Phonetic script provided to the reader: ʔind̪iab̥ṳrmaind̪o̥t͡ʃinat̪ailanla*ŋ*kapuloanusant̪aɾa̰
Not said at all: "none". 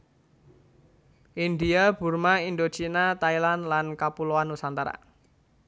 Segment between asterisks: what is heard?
n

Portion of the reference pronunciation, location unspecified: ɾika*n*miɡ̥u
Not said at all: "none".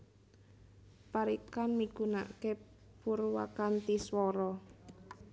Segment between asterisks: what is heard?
n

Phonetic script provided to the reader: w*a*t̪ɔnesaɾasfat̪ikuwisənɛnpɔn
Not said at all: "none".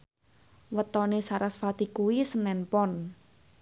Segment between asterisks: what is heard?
ə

